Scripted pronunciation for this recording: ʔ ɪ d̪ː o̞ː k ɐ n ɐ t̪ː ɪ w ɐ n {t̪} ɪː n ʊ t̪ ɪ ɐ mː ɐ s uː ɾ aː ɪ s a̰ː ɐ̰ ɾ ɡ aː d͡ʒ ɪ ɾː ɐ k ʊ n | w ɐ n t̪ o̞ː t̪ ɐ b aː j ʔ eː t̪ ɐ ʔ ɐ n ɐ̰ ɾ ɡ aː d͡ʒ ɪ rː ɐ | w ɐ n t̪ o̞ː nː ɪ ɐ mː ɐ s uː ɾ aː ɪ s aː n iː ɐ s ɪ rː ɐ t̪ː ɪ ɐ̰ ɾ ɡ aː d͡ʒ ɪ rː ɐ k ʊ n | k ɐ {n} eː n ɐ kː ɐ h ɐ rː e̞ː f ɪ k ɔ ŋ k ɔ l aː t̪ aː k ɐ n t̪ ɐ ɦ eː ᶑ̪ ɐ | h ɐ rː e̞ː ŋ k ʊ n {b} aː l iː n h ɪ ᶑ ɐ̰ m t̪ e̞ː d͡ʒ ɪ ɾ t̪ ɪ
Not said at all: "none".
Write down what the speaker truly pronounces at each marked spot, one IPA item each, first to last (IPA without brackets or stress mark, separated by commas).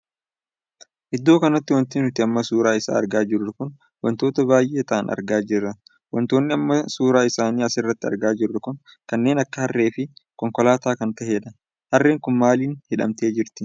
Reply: t̪, nː, m